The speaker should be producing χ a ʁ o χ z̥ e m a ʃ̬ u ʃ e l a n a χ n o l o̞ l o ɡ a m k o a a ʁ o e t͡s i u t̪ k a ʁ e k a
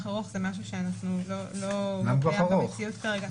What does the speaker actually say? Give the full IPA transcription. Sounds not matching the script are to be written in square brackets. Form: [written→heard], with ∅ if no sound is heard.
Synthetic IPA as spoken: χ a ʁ o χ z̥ e m a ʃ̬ u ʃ e [l→∅] a n a χ n [o→u] l o̞ l o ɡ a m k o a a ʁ o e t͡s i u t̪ k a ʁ e [k→ɡ] a